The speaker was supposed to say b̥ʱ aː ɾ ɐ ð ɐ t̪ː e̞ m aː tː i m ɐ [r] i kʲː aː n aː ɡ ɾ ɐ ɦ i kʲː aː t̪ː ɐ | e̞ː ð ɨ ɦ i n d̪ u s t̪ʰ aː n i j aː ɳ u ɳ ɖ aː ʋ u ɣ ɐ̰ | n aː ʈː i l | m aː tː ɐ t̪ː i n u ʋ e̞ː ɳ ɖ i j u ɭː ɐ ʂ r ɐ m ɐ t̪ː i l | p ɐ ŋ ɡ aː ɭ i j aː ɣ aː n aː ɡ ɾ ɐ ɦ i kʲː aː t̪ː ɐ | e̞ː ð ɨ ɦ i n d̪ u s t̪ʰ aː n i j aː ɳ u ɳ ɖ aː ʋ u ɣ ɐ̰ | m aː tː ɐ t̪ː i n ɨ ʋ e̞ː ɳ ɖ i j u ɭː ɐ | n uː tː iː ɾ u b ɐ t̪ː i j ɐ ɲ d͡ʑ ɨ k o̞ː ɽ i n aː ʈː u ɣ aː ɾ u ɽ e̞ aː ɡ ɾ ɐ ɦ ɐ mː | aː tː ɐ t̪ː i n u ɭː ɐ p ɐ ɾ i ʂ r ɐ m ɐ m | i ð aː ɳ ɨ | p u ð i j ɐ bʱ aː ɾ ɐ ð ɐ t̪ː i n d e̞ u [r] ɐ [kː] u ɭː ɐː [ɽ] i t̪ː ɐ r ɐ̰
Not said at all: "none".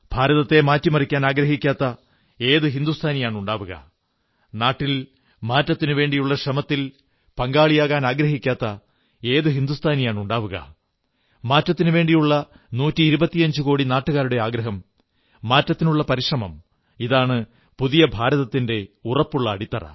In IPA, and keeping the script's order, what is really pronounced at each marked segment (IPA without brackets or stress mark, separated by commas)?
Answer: r, r, pː, ɽ